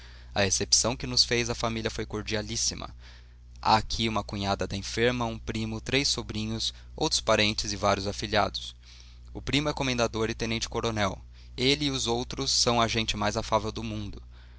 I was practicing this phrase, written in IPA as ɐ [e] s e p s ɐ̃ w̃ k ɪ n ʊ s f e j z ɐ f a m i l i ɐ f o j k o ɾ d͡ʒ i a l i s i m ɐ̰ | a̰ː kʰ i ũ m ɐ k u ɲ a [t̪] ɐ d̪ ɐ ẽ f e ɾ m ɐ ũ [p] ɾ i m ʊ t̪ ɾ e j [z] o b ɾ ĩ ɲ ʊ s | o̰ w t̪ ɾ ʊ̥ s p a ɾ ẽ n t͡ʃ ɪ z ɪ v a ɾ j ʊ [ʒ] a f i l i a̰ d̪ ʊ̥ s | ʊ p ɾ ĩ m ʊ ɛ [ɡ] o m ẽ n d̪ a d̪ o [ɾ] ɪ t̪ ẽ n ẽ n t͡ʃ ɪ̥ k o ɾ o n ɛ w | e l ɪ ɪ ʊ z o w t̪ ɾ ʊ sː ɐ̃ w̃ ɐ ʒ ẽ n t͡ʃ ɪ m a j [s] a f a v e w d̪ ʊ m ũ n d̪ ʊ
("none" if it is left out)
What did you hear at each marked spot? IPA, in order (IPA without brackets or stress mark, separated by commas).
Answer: e, d̪, p, s, z, k, ɾ, z